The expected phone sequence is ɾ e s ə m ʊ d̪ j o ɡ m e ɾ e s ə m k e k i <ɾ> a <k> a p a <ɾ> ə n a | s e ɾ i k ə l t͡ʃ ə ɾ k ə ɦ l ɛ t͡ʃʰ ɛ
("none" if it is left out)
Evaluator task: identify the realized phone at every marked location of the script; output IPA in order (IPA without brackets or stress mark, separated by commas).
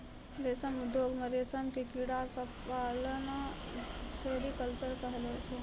ɽ, k, l